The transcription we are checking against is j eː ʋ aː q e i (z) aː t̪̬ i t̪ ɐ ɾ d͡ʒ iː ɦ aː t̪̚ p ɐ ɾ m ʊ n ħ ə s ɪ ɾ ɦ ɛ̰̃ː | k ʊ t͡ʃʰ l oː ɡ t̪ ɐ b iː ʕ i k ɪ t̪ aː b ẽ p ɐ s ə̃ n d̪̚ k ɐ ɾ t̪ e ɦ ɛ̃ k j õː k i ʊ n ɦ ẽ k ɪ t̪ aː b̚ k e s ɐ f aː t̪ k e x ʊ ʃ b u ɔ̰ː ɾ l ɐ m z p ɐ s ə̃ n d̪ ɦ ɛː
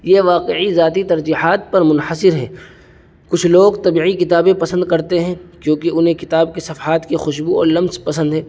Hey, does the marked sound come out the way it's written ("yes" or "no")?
yes